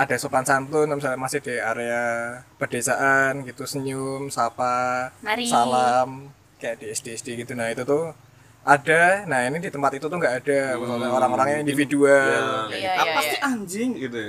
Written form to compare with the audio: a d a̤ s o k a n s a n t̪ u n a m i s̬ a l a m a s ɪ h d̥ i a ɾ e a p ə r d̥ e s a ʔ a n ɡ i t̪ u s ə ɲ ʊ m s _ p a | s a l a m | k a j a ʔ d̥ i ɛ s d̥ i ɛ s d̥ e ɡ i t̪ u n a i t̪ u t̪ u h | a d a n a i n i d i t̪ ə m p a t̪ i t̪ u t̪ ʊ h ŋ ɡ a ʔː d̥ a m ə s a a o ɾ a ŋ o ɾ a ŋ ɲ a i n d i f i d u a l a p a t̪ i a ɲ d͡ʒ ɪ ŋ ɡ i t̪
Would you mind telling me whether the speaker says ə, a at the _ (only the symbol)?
a